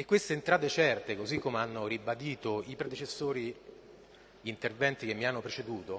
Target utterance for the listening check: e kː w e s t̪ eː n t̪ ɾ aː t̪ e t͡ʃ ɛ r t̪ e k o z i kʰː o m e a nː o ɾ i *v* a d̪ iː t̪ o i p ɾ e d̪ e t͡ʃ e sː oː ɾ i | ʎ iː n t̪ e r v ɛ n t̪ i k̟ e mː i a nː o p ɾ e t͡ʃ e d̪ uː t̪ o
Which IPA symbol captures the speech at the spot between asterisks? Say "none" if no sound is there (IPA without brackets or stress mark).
b